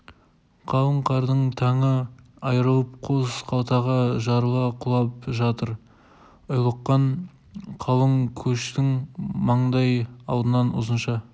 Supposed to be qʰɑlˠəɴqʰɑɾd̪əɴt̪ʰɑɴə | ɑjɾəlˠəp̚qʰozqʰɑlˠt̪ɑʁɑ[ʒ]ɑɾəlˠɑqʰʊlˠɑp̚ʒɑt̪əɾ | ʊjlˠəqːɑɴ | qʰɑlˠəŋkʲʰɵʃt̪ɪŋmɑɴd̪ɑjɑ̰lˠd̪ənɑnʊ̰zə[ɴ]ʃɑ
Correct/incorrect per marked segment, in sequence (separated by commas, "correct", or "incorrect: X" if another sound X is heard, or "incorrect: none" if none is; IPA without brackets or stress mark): correct, incorrect: n